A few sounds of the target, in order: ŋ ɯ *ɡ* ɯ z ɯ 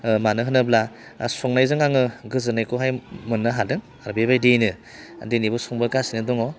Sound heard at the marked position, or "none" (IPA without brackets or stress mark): ɡ